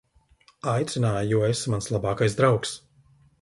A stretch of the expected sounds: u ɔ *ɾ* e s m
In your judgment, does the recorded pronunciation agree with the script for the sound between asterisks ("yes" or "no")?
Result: no